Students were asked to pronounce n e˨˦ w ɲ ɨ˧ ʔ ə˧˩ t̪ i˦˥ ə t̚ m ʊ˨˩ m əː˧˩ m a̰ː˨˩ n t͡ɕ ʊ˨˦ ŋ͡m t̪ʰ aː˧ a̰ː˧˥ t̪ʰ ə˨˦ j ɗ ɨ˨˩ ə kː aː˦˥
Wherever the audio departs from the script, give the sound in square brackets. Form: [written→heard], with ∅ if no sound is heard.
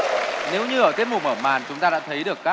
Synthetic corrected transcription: n e˨˦ w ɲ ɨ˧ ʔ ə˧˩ t̪ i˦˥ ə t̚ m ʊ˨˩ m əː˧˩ m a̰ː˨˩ n t͡ɕ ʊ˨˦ ŋ͡m [t̪ʰ→t̪] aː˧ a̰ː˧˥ t̪ʰ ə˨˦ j ɗ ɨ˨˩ ə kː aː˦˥